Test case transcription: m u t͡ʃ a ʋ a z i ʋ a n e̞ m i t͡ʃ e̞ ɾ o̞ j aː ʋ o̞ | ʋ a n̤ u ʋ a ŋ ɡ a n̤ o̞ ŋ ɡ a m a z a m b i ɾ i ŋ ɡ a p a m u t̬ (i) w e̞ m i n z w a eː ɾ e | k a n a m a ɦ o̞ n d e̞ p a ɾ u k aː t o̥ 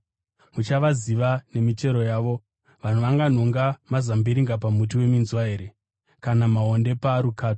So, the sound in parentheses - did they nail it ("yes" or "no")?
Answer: yes